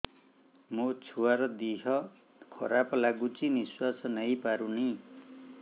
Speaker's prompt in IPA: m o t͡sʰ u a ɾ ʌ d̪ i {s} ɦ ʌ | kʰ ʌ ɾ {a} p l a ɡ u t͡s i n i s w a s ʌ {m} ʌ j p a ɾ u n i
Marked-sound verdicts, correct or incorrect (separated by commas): incorrect, correct, incorrect